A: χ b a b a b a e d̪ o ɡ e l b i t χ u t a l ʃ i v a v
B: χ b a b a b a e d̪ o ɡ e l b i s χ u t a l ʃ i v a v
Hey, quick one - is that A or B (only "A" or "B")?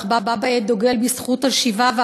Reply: B